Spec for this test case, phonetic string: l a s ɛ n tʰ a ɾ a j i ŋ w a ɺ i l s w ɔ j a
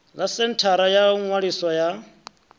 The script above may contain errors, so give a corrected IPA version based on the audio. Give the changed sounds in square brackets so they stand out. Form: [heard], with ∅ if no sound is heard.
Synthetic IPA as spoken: l a s ɛ n tʰ a ɾ a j [a] ŋ w a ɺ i [∅] s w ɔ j a